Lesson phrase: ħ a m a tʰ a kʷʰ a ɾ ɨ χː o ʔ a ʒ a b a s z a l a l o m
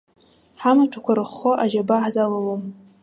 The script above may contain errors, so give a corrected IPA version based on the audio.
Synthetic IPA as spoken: ħ a m a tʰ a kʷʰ a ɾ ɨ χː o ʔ a ʒ a b a ħ z a l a l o m